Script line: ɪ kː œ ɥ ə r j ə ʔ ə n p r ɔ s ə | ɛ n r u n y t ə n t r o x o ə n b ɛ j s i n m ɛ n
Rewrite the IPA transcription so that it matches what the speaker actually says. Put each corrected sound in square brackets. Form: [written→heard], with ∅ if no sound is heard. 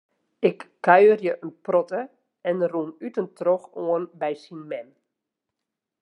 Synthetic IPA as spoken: ɪ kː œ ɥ ə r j ə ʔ ə n p r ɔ [s→t] ə | ɛ n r u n y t ə n t r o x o ə n b ɛ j s i n m ɛ n